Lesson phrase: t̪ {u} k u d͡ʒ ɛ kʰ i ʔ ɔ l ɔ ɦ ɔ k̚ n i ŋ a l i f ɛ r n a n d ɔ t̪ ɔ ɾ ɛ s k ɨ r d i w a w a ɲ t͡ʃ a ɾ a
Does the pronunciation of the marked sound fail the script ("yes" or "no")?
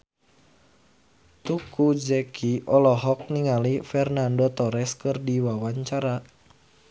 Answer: no